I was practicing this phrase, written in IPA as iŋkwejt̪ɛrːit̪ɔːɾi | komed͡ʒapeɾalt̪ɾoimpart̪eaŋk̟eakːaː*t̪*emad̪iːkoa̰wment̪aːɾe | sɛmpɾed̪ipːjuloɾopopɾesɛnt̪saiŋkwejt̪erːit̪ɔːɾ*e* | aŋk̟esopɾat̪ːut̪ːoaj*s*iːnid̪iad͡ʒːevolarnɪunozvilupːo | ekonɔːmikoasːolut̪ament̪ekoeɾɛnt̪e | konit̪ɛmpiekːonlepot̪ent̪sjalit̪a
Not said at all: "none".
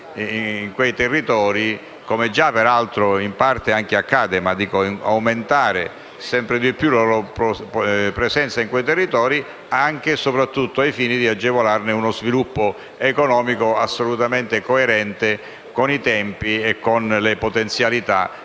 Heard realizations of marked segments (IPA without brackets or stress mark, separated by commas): d̪, i, f